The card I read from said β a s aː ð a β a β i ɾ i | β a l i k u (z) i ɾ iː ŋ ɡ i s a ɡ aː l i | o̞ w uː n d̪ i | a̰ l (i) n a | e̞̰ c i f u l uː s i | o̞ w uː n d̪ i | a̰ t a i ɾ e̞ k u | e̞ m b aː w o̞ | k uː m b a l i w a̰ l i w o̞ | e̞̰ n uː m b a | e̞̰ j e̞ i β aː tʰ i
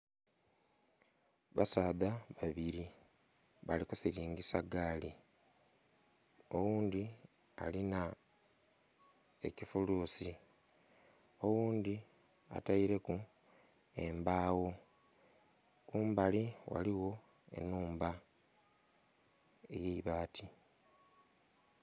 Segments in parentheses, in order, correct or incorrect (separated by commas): incorrect, correct